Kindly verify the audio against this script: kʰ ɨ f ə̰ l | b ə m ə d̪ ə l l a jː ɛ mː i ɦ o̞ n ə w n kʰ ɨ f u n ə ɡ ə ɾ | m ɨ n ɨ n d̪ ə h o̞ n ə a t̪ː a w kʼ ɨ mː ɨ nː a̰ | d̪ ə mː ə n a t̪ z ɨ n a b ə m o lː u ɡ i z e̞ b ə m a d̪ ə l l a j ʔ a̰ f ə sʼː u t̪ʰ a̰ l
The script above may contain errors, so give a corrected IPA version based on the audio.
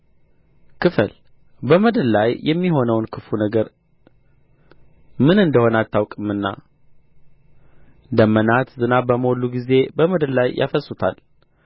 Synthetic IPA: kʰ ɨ f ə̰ l | b ə m ə d̪ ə l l a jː ɛ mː i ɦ o̞ n ə w n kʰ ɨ f u n ə ɡ ə ɾ | m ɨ n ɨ n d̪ ə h o̞ n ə a t̪ː a w kʼ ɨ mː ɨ nː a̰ | d̪ ə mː ə n a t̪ z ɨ n a b ə m o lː u ɡ i z e̞ b ə m ə d̪ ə l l a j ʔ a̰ f ə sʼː u t̪ʰ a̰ l

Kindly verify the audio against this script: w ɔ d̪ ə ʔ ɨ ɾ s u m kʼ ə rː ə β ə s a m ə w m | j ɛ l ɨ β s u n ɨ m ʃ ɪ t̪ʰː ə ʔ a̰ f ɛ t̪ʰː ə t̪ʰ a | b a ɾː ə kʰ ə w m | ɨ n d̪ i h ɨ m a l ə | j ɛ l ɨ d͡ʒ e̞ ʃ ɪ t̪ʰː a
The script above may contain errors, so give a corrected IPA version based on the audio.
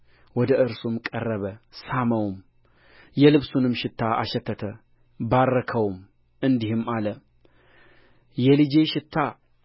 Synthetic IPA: w ɔ d̪ ə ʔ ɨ ɾ s u m kʼ ə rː ə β ə s a m ə w m | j ɛ l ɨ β s u n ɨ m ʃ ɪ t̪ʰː a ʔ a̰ ʃ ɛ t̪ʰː ə t̪ʰ ə | b a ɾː ə kʰ ə w m | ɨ n d̪ i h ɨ m a l ə | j ɛ l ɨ d͡ʒ e̞ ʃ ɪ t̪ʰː a

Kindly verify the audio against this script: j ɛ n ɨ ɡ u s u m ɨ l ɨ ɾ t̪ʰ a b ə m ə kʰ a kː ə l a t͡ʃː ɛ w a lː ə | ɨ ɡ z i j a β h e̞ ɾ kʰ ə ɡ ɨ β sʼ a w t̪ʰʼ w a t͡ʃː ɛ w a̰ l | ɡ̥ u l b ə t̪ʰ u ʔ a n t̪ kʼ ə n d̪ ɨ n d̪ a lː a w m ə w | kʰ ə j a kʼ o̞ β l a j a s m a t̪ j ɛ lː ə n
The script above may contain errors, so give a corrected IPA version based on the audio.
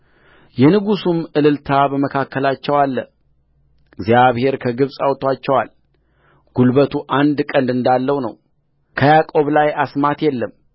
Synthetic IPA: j ɛ n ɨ ɡ u s u m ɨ l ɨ l t̪ʰ a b ə m ə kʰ a kː ə l a t͡ʃː ɛ w a lː ə | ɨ ɡ z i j a β h e̞ ɾ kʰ ə ɡ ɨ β sʼ a w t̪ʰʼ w a t͡ʃː ɛ w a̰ l | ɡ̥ u l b ə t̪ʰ u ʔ a n d̪ kʼ ə n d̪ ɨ n d̪ a lː ə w n ə w | kʰ ə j a kʼ o̞ β l a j a s m a t̪ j ɛ lː ə m

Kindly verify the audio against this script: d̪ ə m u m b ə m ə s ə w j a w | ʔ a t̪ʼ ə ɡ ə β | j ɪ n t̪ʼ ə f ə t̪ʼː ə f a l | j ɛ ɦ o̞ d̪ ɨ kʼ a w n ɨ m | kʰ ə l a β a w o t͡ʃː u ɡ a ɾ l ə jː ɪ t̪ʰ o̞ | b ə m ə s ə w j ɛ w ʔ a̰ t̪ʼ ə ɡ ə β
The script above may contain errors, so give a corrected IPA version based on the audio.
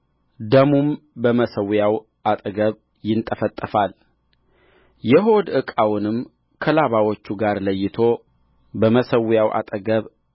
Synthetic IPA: d̪ ə m u m b ə m ə s ə w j a w | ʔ a t̪ʼ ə ɡ ə β | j ɪ n t̪ʼ ə f ə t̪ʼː ə f a l | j ɛ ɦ o̞ d̪ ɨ kʼ a w n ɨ m | kʰ ə l a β a w o t͡ʃː u ɡ a ɾ l ə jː ɪ t̪ʰ o̞ | b ə m ə s ə w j a w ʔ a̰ t̪ʼ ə ɡ ə β

